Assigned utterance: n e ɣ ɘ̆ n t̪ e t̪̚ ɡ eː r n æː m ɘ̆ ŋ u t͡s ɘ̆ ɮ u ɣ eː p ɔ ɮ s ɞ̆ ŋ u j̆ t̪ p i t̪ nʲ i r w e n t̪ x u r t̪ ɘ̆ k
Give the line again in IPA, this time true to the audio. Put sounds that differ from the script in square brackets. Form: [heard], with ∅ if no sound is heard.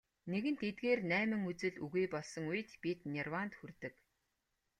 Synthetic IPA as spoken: n e ɣ ɘ̆ n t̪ e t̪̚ ɡ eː r n æː m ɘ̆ ŋ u t͡s ɘ̆ ɮ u ɣ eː p ɔ ɮ s ɞ̆ ŋ u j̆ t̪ p i t̪ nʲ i r w [a] n t̪ x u r t̪ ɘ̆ k